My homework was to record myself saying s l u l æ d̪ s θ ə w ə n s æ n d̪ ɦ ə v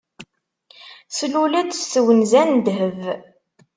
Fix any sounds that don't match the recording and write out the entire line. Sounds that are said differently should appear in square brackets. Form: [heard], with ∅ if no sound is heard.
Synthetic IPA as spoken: s l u l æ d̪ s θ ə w ə n [z] æ n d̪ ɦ ə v